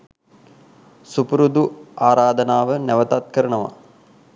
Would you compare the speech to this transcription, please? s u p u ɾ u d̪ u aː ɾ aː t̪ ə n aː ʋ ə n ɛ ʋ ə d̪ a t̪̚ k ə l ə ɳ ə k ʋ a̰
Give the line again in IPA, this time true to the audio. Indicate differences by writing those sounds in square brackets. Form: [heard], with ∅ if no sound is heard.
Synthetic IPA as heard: s u p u ɾ u d̪ u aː ɾ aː [d̪] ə n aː ʋ ə n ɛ ʋ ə [t̪] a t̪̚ k ə [ɾ] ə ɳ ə [∅] ʋ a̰